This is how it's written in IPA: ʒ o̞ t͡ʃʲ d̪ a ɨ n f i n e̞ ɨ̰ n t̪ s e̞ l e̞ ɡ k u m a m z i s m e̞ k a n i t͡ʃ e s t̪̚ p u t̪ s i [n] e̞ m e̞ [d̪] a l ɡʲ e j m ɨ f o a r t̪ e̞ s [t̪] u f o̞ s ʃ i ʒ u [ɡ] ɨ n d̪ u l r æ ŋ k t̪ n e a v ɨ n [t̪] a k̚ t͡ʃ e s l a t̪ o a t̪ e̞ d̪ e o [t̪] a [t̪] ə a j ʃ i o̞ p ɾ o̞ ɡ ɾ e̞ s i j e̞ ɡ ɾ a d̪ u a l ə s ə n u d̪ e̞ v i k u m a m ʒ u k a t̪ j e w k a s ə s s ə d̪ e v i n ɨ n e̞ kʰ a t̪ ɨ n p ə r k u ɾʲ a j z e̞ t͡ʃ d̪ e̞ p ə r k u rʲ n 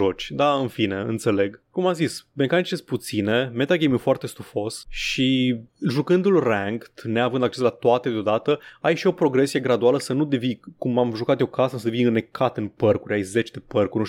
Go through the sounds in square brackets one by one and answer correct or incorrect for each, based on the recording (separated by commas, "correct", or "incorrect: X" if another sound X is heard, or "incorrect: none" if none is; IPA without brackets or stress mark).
correct, incorrect: t̪, correct, incorrect: k, incorrect: d̪, incorrect: d̪, correct